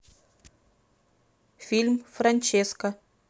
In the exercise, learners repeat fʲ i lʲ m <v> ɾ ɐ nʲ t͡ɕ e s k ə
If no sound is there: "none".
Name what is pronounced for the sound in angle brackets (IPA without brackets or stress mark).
f